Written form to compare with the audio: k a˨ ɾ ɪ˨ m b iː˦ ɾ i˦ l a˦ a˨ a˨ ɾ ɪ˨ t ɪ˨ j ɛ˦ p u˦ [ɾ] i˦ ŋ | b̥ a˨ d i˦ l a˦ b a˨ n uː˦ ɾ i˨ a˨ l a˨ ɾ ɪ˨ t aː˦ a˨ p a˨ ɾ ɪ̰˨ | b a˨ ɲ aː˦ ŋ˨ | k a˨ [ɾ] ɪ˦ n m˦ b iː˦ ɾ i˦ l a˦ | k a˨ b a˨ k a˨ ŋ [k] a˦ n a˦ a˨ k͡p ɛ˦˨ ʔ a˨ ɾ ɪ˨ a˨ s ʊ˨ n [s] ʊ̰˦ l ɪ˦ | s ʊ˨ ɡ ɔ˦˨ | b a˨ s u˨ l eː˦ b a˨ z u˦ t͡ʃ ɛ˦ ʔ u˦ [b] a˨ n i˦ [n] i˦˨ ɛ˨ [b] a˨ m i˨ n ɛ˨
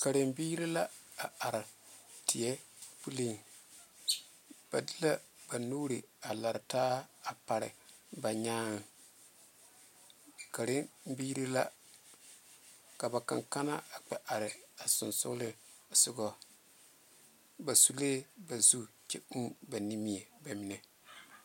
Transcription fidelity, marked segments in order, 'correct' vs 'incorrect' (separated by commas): incorrect, correct, correct, correct, correct, incorrect, correct